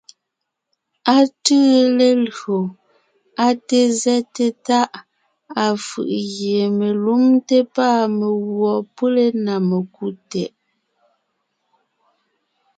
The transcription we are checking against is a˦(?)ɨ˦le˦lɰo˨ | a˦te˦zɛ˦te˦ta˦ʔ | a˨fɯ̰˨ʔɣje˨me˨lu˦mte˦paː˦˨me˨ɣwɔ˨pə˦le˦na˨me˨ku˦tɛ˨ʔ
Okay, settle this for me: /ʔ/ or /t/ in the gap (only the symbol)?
t